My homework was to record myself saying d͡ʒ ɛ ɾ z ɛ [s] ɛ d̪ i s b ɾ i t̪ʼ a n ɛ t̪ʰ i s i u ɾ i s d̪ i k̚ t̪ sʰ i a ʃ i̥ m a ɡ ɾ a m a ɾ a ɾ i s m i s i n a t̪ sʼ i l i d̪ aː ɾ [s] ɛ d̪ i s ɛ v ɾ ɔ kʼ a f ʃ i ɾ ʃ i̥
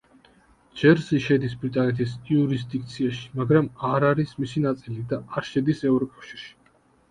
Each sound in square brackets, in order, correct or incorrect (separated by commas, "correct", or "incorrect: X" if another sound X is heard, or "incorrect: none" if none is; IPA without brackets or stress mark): incorrect: ʃ, incorrect: ʃ